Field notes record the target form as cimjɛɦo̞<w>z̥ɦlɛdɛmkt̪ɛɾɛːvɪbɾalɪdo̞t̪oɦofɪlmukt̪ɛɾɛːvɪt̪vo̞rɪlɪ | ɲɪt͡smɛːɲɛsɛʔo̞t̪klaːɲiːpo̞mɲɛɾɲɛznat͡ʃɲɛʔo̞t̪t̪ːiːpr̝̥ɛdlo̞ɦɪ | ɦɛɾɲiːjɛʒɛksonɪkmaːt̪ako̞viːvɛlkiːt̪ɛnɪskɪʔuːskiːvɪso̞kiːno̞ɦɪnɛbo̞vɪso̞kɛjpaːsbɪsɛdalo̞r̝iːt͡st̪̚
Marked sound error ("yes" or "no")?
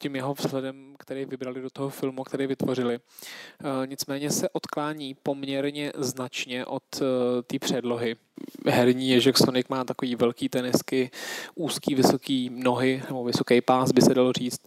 yes